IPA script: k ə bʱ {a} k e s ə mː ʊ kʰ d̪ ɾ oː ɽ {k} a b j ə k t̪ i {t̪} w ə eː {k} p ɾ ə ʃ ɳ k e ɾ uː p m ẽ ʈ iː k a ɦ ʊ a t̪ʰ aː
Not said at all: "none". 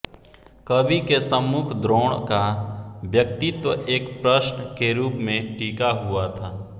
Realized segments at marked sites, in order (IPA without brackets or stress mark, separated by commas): i, k, t̪, k